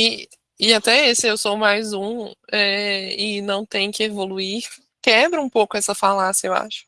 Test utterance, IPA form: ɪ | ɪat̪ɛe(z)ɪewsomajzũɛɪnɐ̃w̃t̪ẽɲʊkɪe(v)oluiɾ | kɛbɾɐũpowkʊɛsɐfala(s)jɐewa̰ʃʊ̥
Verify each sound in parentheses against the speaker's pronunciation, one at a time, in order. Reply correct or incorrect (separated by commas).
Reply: incorrect, correct, correct